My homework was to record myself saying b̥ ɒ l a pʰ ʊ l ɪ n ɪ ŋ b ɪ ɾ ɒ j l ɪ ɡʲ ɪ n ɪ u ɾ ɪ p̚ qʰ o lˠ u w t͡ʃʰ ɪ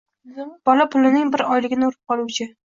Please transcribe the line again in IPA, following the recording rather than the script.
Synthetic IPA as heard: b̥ ɒ l a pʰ ʊ l ɪ n ɪ ŋ b ɪ ɾ ɒ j l ɪ ɡʲ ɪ n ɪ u ɾ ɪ p̚ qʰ ɒ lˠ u w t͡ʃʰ ɪ